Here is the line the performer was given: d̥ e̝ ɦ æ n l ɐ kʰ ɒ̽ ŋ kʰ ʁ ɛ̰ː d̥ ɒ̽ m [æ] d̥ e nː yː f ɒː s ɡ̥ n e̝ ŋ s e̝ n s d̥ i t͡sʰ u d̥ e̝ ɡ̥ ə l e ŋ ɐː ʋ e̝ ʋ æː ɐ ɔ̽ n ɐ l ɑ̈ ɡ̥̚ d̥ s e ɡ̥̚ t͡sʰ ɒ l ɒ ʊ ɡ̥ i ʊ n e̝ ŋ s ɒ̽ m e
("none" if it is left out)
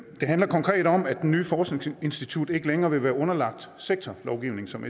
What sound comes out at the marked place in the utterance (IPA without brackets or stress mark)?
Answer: æ